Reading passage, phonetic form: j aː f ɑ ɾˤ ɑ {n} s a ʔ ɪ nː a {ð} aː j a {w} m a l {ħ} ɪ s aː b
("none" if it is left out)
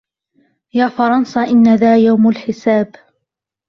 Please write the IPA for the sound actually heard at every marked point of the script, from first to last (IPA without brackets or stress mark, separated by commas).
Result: n, ð, w, ħ